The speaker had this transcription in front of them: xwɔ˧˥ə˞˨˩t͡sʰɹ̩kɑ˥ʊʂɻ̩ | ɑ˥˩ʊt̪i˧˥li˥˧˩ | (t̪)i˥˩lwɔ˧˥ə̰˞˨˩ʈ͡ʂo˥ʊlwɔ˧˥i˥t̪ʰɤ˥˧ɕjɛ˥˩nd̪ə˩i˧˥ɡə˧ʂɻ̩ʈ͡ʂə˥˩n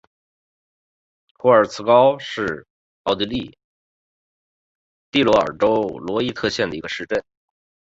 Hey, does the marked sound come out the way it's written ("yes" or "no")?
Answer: yes